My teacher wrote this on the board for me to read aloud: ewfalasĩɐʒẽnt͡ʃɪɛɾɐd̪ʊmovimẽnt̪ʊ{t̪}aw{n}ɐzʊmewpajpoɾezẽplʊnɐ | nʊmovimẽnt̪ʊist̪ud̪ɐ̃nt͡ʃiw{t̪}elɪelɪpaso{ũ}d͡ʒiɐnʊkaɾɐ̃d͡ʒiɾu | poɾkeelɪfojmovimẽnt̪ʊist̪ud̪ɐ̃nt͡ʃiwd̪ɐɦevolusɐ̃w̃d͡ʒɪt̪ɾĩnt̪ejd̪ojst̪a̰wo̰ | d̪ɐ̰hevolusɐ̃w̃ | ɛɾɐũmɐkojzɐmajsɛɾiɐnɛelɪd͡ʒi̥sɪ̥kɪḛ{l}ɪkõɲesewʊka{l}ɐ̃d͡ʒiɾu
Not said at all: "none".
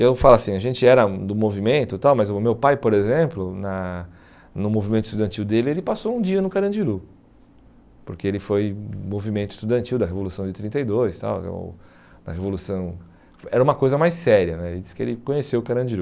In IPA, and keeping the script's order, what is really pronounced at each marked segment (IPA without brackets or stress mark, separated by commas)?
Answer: t̪, m, d̪, ũ, l, ɾ